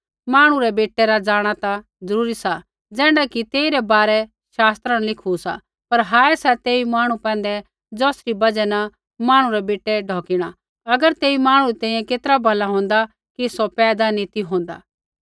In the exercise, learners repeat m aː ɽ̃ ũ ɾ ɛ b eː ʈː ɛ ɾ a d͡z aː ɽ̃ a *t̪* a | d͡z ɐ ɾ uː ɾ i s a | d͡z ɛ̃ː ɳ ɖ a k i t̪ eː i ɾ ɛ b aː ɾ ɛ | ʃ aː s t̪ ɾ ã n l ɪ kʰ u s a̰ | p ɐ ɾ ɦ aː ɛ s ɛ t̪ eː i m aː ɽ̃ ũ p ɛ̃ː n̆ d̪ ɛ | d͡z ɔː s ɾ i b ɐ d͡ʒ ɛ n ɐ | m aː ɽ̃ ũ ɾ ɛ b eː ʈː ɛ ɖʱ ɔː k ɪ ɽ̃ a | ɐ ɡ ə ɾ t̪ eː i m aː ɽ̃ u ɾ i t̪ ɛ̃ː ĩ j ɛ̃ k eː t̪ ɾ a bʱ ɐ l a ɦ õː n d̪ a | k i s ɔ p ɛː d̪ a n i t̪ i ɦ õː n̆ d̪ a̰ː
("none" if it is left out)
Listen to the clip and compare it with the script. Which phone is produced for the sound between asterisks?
t̪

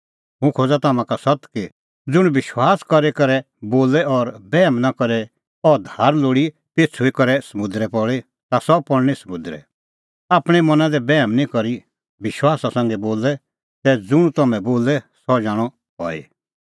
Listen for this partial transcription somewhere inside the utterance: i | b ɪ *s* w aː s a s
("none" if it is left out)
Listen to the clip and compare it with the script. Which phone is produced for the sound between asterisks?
ʃ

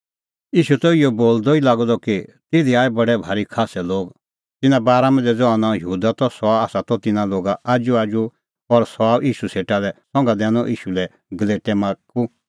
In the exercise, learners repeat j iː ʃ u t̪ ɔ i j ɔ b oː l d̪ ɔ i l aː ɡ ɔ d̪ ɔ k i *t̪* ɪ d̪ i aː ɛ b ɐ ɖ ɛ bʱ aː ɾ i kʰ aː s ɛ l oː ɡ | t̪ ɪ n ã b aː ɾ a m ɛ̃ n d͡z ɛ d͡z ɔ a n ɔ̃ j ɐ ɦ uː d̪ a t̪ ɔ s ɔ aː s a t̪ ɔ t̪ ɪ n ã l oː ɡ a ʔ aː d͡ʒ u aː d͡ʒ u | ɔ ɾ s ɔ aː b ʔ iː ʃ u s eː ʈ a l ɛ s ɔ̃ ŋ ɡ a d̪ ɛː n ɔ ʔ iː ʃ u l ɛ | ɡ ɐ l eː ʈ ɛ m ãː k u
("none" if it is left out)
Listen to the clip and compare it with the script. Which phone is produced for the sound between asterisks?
t̪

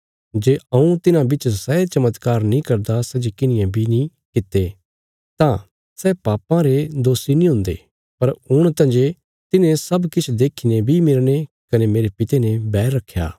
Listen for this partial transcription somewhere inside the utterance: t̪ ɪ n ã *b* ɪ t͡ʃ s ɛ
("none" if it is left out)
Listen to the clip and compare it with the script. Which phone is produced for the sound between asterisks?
b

